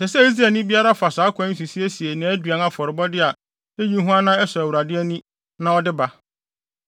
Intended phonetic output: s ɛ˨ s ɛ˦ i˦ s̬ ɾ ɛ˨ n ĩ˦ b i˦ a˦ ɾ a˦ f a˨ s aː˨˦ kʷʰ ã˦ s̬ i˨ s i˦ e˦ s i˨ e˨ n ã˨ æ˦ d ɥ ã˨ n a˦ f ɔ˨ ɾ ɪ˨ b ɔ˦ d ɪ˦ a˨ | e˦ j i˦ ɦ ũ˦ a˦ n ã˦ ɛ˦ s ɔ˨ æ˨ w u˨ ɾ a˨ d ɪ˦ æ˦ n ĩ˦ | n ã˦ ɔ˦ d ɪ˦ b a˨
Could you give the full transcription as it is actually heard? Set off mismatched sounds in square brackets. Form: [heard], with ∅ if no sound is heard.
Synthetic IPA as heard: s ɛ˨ s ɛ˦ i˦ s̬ ɾ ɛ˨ n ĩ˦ b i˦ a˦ ɾ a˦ f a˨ s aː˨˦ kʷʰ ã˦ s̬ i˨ s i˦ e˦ s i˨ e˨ n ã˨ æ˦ d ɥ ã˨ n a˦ f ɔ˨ ɾ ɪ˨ b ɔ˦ d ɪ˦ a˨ | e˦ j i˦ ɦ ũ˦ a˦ n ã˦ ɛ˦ s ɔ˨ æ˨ w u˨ ɾ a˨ d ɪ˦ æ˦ n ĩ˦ | n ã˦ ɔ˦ d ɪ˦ b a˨